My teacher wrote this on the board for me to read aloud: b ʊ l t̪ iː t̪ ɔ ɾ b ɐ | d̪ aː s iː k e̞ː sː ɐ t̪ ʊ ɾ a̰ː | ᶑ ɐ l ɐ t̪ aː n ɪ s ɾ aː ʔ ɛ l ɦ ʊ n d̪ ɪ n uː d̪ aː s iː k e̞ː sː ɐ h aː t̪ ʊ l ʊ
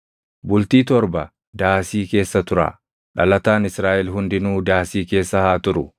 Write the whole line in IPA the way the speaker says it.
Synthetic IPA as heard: b ʊ l t̪ iː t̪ ɔ ɾ b ɐ | d̪ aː s iː k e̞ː sː ɐ t̪ ʊ ɾ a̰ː | ᶑ ɐ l ɐ t̪ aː n ɪ s ɾ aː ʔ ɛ l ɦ ʊ n d̪ ɪ n uː d̪ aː s iː k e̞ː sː ɐ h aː t̪ ʊ ɾ ʊ

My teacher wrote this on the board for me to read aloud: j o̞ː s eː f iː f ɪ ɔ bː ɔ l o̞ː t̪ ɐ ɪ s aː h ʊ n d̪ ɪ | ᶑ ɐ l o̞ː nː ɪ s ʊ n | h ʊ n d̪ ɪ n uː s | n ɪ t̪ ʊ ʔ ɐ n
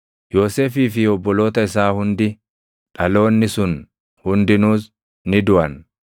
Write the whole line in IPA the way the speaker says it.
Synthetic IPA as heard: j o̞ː s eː f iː f ɪ ɔ bː ɔ l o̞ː t̪ ɐ ɪ s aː h ʊ n d̪ ɪ | ᶑ ɐ l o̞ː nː ɪ s ʊ n | h ʊ n d̪ ɪ n uː s | n ɪ d̪ ʊ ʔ ɐ n

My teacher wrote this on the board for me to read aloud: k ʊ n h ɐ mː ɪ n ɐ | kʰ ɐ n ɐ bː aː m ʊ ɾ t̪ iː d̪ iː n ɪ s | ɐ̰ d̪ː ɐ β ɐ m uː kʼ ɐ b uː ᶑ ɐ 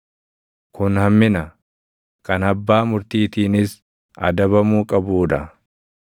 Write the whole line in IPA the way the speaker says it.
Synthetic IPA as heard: k ʊ n h ɐ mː ɪ n ɐ | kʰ ɐ n ɐ bː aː m ʊ ɾ t̪ iː t̪ iː n ɪ s | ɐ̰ d̪ ɐ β ɐ m uː kʼ ɐ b uː ᶑ ɐ

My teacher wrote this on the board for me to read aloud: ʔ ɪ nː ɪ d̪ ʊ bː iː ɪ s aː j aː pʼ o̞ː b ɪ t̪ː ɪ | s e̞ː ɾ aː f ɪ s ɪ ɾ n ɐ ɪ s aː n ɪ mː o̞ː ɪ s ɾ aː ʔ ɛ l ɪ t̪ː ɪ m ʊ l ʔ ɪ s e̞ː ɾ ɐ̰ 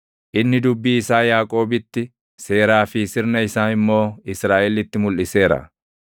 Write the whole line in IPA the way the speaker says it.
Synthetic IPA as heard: ʔ ɪ nː ɪ d̪ ʊ bː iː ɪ s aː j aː kʼ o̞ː b ɪ t̪ː ɪ | s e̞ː ɾ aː f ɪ s ɪ ɾ n ɐ ɪ s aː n ɪ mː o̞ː ɪ s ɾ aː ʔ ɛ l ɪ t̪ː ɪ m ʊ l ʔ ɪ s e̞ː ɾ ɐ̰

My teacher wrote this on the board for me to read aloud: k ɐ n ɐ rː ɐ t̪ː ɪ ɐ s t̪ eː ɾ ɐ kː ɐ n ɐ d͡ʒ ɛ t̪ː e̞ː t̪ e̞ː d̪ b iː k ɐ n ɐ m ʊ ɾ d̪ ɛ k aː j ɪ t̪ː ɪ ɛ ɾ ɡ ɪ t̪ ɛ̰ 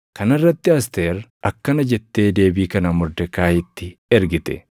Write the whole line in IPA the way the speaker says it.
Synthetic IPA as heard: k ɐ n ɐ rː ɐ t̪ː ɪ ɐ s t̪ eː ɾ ɐ kː ɐ n ɐ d͡ʒ ɛ t̪ː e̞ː d̪ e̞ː b iː k ɐ n ɐ m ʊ ɾ d̪ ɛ k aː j ɪ t̪ː ɪ ɛ ɾ ɡ ɪ t̪ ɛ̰

